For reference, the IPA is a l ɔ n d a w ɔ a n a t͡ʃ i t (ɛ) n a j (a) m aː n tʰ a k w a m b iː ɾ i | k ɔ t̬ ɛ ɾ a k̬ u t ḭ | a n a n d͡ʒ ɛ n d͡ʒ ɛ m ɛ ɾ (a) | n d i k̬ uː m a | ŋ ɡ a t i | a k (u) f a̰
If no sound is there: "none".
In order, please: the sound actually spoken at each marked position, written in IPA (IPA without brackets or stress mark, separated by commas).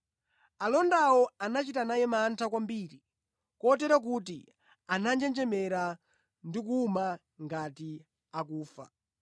a, ɛ, a, uː